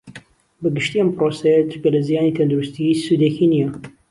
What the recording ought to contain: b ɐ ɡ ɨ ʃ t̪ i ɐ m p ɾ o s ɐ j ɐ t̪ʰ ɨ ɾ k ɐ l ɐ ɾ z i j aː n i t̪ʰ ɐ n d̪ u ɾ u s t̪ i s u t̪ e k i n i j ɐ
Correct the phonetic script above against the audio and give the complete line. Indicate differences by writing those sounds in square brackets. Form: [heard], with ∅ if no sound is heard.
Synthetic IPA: b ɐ ɡ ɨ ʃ t̪ i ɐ m p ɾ o s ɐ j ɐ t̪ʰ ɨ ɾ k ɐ l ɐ [∅] z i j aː n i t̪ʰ ɐ n d̪ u ɾ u s t̪ i s u [d̪] e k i n i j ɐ